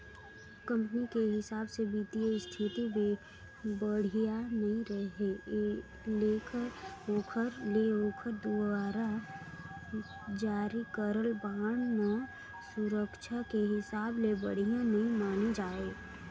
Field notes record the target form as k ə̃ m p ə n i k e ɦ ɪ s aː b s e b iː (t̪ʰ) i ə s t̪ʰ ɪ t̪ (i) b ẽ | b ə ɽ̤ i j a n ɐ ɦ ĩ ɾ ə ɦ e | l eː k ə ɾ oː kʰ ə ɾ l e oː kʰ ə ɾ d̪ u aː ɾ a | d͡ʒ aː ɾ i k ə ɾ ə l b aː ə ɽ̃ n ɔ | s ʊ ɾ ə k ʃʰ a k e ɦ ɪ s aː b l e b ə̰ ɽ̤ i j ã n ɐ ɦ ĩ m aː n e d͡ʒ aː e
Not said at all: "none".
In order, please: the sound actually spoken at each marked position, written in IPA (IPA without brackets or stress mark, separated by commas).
t̪, i